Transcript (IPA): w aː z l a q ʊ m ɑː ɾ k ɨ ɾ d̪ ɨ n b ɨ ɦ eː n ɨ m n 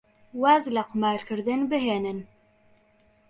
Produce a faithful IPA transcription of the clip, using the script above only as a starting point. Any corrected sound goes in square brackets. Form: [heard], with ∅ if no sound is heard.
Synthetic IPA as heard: w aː z l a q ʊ m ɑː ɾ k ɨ ɾ d̪ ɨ n b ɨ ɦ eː n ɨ [∅] n